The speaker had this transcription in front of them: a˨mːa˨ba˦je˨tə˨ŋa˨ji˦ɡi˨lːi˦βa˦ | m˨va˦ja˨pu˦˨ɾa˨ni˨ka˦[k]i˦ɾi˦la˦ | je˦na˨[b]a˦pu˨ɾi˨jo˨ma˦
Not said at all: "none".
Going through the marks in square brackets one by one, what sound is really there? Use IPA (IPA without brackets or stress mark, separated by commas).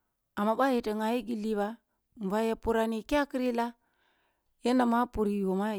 k, m